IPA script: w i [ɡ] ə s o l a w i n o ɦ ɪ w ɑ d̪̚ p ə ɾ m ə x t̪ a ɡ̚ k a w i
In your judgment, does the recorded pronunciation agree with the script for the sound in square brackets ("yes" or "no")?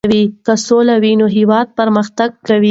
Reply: no